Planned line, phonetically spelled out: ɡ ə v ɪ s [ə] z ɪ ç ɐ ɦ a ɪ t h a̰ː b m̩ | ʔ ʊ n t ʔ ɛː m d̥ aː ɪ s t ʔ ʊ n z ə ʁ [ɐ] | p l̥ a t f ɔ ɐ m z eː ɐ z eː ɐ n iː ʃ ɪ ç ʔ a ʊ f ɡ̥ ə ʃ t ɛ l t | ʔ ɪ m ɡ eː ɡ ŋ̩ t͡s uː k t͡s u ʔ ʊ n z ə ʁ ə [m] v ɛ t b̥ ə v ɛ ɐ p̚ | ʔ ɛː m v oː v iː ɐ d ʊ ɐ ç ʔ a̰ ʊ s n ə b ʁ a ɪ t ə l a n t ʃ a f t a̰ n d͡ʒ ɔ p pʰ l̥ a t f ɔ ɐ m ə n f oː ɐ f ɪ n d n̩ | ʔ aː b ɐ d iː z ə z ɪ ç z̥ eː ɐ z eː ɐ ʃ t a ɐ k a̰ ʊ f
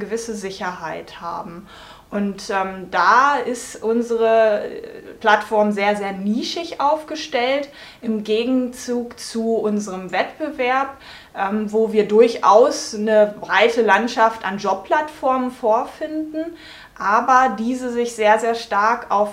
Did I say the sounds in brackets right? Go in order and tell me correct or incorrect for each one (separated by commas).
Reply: correct, incorrect, correct